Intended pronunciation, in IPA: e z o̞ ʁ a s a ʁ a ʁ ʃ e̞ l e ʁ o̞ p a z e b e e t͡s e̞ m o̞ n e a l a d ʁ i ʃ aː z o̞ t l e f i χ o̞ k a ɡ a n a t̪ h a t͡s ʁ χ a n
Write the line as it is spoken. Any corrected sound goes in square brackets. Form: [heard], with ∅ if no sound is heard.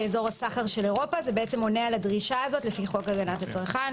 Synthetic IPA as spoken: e z o̞ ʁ a s a [χ] a ʁ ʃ e̞ l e ʁ o̞ p a z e b e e t͡s e̞ m o̞ n e a l a d ʁ i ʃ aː z o̞ t l e f i χ o̞ k a ɡ a n a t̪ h a t͡s ʁ χ a n